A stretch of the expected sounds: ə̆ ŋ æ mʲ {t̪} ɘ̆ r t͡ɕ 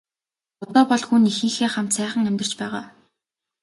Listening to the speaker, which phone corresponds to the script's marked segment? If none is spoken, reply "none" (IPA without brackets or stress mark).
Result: t̪